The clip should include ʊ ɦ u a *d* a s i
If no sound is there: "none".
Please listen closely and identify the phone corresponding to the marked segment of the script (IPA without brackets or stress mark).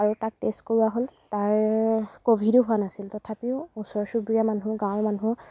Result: n